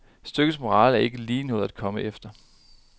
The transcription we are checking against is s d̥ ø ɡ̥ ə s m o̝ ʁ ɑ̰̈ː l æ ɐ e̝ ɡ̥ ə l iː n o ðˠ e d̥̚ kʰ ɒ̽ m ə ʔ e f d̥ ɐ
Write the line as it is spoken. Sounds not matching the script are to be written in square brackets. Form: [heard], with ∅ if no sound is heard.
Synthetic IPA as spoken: s d̥ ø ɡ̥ ə s m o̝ ʁ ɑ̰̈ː l æ ɐ e̝ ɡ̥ ə l iː n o ðˠ [æ] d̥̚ kʰ ɒ̽ m ə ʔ e f d̥ ɐ